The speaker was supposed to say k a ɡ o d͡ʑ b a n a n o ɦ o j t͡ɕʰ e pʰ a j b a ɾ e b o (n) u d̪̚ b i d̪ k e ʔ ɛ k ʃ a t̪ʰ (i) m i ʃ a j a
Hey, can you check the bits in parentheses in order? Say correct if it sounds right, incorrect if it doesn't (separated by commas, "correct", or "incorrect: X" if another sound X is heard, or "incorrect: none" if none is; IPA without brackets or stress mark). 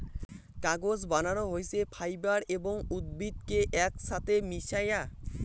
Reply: incorrect: ŋ, incorrect: e